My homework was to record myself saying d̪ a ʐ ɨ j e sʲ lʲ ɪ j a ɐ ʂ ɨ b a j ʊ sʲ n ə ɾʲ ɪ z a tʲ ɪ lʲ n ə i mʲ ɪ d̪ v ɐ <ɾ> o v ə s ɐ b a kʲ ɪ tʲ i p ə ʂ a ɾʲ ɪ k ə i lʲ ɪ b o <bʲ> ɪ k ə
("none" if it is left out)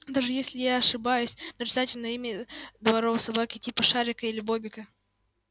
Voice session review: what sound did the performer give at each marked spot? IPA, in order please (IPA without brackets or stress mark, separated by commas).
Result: ɾ, bʲ